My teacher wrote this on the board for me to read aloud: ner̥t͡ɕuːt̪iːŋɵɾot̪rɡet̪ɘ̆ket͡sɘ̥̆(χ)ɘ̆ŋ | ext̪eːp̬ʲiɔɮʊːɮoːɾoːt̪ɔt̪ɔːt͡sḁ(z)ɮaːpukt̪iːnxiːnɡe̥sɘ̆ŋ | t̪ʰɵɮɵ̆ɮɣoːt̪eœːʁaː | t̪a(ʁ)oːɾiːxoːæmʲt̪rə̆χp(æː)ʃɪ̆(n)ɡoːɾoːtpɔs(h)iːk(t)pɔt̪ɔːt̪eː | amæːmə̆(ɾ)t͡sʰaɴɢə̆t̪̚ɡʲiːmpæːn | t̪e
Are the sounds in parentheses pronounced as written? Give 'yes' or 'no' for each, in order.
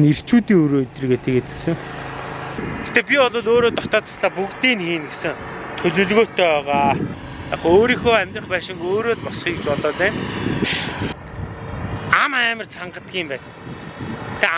no, no, no, yes, no, no, no, no

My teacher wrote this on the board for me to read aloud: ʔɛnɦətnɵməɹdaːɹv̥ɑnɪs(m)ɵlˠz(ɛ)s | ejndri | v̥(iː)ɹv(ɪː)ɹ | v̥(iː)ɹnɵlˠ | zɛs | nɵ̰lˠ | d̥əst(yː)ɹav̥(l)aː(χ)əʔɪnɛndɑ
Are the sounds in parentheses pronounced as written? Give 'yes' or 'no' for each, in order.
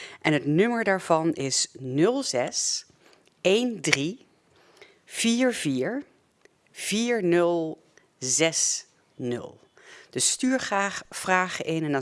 no, yes, yes, no, yes, yes, no, yes

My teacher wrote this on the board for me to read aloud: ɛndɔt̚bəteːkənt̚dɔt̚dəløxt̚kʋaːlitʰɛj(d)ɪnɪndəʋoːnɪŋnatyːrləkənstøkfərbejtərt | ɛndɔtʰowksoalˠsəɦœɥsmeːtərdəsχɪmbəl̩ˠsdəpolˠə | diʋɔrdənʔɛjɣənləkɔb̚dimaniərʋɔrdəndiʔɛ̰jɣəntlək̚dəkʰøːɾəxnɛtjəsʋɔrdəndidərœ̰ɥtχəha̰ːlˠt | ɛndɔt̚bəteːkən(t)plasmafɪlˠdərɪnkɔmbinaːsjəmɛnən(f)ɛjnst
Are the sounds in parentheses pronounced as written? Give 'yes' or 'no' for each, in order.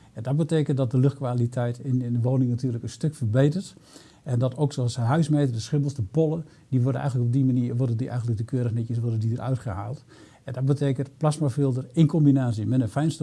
no, yes, yes

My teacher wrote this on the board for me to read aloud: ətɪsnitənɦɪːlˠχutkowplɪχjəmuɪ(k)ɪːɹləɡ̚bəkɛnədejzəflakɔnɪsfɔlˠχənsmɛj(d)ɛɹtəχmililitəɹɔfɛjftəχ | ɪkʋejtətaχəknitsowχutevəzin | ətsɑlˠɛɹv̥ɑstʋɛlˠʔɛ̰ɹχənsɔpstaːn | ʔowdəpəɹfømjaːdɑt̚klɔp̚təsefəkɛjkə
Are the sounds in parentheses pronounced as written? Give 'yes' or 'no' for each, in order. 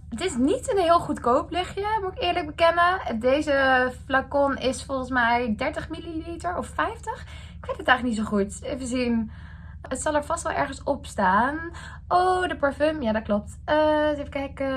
yes, yes

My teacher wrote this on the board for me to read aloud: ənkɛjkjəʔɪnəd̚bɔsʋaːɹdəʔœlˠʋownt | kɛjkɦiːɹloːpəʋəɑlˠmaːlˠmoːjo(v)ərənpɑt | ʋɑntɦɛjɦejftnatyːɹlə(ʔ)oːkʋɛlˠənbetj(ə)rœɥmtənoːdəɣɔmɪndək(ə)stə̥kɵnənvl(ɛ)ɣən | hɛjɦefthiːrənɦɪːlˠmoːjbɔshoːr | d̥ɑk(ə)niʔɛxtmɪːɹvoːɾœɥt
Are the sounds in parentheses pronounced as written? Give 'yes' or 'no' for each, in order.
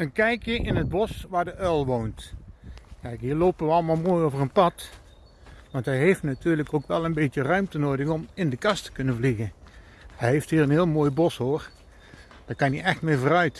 yes, no, yes, no, no, no

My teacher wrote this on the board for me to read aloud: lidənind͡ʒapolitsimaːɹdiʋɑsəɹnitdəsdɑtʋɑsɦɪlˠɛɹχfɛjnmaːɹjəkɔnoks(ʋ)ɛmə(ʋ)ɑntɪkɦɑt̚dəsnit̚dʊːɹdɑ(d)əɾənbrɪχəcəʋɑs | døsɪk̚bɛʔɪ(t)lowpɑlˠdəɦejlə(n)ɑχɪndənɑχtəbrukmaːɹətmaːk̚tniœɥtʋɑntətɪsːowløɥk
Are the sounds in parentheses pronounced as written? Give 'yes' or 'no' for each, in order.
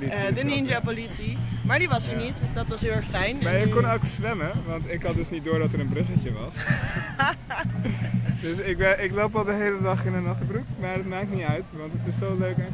yes, yes, no, no, no

